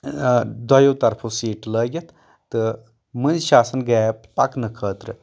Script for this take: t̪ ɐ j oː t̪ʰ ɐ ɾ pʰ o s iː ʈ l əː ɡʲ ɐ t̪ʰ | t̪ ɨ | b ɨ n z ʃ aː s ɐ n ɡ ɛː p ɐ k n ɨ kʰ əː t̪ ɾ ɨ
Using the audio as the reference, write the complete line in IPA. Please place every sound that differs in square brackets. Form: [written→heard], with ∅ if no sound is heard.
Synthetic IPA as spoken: [t̪→d̪] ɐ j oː [t̪ʰ→t̪] ɐ ɾ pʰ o s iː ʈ l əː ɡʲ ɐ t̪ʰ | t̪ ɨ | [b→m] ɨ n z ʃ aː s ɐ n ɡ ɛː p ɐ k n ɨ kʰ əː t̪ ɾ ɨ